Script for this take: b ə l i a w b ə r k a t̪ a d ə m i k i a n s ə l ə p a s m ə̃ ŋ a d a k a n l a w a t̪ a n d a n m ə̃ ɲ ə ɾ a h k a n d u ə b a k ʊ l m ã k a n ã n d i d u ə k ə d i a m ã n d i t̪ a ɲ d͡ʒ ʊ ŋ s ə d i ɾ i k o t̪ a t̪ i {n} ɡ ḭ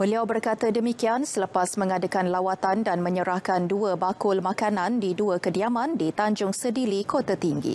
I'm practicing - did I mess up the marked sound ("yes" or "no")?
yes